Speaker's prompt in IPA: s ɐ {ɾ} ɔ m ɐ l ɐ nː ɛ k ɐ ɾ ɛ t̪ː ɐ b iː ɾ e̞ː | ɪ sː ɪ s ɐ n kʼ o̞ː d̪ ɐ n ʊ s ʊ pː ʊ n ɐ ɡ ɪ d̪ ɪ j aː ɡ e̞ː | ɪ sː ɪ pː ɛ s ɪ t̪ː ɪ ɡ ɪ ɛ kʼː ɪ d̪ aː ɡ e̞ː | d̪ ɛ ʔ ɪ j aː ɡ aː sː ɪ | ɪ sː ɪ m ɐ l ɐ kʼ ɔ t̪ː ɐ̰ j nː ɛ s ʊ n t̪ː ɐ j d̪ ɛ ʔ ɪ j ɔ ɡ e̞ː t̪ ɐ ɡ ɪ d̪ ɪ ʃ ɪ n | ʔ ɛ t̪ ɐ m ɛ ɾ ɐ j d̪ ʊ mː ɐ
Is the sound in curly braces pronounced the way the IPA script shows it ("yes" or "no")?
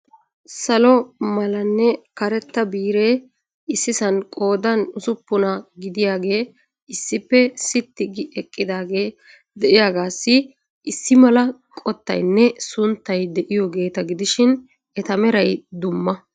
no